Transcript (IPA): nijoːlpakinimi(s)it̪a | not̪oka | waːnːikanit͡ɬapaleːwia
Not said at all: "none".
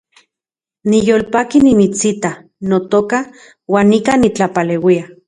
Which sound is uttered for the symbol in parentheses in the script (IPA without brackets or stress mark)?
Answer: t͡s